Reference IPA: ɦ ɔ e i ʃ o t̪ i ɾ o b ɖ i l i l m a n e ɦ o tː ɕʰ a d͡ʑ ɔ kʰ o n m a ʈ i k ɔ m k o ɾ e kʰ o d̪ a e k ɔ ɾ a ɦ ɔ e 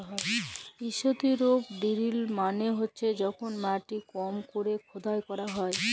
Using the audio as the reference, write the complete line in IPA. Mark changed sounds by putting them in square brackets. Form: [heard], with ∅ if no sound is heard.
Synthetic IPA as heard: ɦ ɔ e i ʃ o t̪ i ɾ o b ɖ i [ɾ] i l m a n e ɦ o tː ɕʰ [e] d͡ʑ ɔ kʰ o n m a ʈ i k ɔ m k o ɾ e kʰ o d̪ a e k ɔ ɾ a ɦ ɔ e